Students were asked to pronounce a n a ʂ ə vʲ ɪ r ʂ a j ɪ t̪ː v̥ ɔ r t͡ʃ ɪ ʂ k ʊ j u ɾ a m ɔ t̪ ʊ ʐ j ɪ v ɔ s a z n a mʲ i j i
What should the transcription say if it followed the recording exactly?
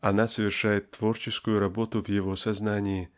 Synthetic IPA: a n a s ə vʲ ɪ r ʂ a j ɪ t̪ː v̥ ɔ r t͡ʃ ɪ s k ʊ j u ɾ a b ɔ t̪ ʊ v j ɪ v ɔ s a z n a nʲ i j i